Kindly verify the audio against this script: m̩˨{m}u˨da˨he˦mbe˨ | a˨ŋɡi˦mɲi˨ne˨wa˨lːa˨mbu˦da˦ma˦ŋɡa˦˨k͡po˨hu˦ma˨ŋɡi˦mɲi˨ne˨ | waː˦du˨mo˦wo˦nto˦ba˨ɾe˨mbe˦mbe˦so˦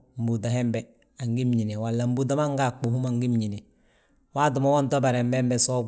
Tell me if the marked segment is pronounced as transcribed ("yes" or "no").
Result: no